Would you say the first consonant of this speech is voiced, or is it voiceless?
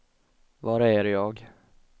voiced